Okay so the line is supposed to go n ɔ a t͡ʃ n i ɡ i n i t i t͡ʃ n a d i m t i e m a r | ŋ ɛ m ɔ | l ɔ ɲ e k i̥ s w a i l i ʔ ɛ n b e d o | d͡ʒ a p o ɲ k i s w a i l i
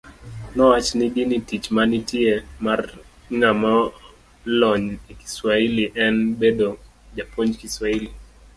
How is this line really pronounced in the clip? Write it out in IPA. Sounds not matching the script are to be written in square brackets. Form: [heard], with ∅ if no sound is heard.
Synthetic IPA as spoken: n ɔ a t͡ʃ n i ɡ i n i t i t͡ʃ [m] a [n] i [∅] t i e m a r | ŋ [a] m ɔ | l ɔ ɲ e k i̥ s w a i l i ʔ ɛ n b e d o | d͡ʒ a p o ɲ k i s w a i l i